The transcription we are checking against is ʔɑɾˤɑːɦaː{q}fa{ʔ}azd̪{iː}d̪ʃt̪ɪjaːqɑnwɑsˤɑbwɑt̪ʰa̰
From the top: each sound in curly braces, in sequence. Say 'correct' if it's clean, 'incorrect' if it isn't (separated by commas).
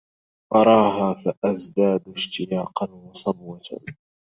incorrect, correct, incorrect